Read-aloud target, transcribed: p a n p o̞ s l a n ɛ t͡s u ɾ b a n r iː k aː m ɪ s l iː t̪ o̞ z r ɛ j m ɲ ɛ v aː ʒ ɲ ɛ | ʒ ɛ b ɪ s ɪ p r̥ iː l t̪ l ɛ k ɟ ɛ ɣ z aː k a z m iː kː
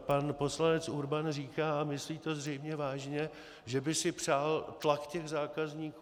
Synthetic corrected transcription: p a n p o̞ s l a n ɛ t͡s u ɾ b a n r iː k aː m ɪ s l iː t̪ o̞ z r ɛ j m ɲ ɛ v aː ʒ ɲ ɛ | ʒ ɛ b ɪ s ɪ p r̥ aː l t̪ l a k c ɛ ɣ z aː k a z ɲ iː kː